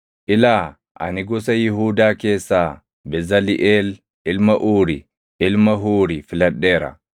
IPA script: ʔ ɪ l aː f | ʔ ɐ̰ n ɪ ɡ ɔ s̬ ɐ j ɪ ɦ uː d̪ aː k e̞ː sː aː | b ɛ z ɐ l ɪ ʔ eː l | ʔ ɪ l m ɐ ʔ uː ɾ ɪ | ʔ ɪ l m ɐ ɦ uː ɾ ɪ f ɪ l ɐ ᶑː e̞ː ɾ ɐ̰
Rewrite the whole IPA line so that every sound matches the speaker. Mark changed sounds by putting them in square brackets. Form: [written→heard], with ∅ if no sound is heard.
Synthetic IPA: ʔ ɪ l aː [f→∅] | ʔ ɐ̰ n ɪ ɡ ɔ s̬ ɐ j ɪ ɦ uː d̪ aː k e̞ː sː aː | b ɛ z ɐ l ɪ ʔ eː l | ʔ ɪ l m ɐ ʔ uː ɾ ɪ | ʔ ɪ l m ɐ ɦ uː ɾ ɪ f ɪ l ɐ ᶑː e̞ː ɾ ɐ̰